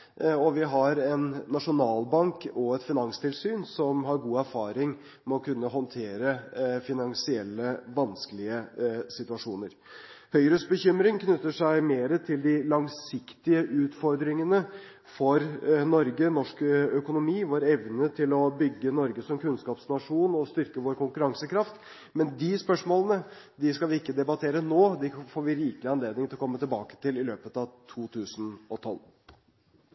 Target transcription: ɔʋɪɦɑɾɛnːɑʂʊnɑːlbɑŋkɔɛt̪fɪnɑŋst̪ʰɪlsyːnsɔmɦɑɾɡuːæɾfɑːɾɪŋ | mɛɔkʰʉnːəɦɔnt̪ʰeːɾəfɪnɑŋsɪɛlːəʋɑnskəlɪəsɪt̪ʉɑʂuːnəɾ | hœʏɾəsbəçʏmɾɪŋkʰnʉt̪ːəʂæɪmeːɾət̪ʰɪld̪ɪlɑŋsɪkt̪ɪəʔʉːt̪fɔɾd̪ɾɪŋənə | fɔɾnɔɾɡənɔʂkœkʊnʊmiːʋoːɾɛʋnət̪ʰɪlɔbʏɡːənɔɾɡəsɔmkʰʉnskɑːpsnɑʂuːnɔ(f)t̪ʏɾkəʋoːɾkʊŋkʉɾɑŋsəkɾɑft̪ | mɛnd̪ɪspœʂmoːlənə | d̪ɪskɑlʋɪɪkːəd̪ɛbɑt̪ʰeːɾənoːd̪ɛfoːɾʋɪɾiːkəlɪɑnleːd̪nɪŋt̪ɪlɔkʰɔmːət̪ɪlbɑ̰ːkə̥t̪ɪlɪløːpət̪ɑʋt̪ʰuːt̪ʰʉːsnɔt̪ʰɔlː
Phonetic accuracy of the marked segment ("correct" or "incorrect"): incorrect